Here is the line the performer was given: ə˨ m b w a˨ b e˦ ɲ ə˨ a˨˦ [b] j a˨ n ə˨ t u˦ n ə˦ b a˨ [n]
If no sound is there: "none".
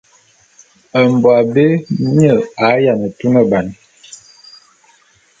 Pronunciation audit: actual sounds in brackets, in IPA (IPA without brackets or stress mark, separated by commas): none, n